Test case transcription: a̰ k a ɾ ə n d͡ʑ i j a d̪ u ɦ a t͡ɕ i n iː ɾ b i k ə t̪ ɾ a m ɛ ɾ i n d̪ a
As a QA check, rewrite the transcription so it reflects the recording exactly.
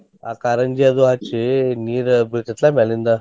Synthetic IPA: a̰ k a ɾ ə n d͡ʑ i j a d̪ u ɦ a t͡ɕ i n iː ɾ b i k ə t̪ l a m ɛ l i n d̪ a